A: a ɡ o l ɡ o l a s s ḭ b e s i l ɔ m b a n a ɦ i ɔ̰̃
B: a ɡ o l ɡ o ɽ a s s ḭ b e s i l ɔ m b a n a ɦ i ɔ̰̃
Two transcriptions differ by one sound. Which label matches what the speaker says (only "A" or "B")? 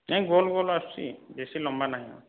A